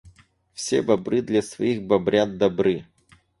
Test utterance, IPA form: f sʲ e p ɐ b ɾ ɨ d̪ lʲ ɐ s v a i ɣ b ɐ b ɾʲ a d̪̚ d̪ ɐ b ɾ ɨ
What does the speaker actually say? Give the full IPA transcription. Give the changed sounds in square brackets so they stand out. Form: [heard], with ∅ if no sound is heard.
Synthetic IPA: f sʲ e [b] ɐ b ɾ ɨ d̪ lʲ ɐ s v [ɐ] i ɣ b ɐ b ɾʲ a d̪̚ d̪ ɐ b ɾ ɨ

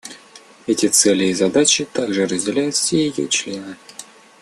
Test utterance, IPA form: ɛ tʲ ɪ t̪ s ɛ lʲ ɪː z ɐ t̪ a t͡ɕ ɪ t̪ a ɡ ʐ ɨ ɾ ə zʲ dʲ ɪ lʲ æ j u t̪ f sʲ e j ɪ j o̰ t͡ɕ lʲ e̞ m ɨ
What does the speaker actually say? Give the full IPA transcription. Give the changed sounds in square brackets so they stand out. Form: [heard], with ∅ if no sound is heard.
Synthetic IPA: ɛ tʲ ɪ t̪ s ɛ lʲ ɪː z ɐ [d̪] a t͡ɕ ɪ t̪ a ɡ ʐ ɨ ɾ ə zʲ dʲ ɪ lʲ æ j [ʊ] t̪ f sʲ e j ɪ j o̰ t͡ɕ lʲ e̞ [n] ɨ

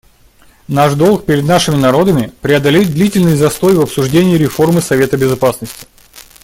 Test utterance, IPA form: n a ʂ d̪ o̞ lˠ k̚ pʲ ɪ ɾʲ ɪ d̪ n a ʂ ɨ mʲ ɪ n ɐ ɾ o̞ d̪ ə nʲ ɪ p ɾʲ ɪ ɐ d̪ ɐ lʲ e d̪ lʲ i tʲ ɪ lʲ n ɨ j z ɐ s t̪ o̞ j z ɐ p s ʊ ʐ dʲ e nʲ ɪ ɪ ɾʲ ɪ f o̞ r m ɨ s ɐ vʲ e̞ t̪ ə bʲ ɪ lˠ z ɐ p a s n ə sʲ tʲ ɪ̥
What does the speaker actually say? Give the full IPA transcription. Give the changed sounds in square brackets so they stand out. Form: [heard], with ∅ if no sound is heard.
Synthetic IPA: n a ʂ d̪ o̞ lˠ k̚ pʲ ɪ ɾʲ ɪ d̪ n a ʂ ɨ mʲ ɪ n ɐ ɾ o̞ d̪ ə [mʲ] ɪ p ɾʲ ɪ ɐ d̪ ɐ lʲ e d̪ lʲ i tʲ ɪ lʲ n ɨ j z ɐ s t̪ o̞ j [v] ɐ p s ʊ ʐ dʲ e nʲ ɪ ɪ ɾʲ ɪ f o̞ r m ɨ s ɐ vʲ e̞ t̪ ə bʲ ɪ [∅] z ɐ p a s n ə sʲ tʲ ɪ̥

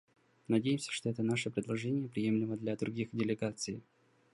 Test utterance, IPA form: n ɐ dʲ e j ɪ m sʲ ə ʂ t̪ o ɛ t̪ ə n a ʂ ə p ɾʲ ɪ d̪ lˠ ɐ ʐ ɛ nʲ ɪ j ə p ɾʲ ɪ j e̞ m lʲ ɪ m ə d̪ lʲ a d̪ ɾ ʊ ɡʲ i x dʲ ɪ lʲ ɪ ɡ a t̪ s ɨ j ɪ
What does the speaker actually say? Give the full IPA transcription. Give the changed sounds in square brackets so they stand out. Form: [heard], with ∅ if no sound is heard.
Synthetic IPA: n ɐ dʲ e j ɪ m sʲ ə ʂ t̪ o ɛ t̪ ə n a ʂ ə p ɾʲ ɪ d̪ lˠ ɐ ʐ ɛ nʲ ɪ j ə p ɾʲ ɪ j e̞ m lʲ ɪ m ə d̪ lʲ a d̪ ɾ ʊ ɡʲ i x dʲ ɪ lʲ ɪ ɡ a t̪ s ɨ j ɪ

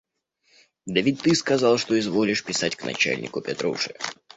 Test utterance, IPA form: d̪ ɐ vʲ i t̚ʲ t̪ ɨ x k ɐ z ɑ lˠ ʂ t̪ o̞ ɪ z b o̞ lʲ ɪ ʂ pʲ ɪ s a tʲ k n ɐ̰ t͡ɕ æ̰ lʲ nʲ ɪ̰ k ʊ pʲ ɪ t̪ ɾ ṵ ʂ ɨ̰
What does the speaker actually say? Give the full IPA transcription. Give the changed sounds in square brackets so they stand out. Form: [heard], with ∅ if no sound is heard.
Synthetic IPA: d̪ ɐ vʲ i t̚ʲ t̪ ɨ [s] k ɐ z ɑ lˠ ʂ t̪ o̞ ɪ z [v] o̞ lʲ ɪ ʂ pʲ ɪ s a tʲ k n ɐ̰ t͡ɕ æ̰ lʲ nʲ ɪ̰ k ʊ pʲ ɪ t̪ ɾ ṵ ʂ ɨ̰

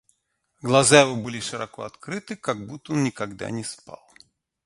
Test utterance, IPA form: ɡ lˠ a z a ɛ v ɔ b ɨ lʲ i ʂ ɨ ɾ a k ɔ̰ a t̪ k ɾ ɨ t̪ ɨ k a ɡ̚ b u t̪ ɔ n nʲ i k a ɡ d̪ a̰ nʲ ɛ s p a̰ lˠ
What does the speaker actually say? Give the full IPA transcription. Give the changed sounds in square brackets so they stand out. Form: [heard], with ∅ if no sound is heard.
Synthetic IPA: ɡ lˠ a z a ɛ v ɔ b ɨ lʲ i ʂ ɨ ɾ a k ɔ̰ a t̪ k ɾ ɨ t̪ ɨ k a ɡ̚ b u t̪ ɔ n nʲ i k a ɡ d̪ a̰ nʲ ɛ s p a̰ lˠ

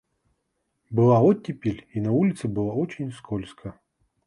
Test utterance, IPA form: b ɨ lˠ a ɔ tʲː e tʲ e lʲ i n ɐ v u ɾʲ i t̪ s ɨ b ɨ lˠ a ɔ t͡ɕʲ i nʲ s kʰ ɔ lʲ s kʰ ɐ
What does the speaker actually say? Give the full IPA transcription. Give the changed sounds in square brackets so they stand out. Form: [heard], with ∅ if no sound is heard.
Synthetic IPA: b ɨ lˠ a ɔ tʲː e [pʲ] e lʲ i n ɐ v u [lʲ] i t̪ s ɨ b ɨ lˠ a ɔ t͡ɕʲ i nʲ s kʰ ɔ lʲ s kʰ ɐ

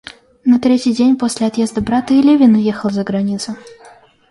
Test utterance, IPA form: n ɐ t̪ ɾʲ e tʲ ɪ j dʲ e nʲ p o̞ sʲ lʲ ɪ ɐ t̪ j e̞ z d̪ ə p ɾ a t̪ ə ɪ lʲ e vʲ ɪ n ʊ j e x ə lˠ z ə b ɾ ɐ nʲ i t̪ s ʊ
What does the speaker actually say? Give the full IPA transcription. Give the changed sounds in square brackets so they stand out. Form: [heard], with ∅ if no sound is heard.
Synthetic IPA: n ɐ t̪ ɾʲ e tʲ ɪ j dʲ e nʲ p o̞ sʲ lʲ ɪ ɐ t̪ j e̞ z d̪ ə [b] ɾ a t̪ ə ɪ lʲ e vʲ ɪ n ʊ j e x ə lˠ z ə [ɡ] ɾ ɐ nʲ i t̪ s ʊ

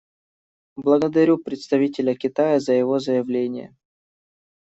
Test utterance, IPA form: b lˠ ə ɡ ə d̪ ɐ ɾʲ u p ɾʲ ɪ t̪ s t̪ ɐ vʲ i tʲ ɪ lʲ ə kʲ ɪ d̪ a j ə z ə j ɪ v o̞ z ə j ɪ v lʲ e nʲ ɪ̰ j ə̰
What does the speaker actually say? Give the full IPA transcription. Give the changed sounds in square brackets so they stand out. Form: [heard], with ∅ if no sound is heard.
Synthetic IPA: b lˠ ə ɡ ə d̪ ɐ ɾʲ u p ɾʲ ɪ t̪ s t̪ ɐ vʲ i tʲ ɪ lʲ ə kʲ ɪ [t̪] a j ə z ə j ɪ v o̞ z ə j ɪ v lʲ e nʲ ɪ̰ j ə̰

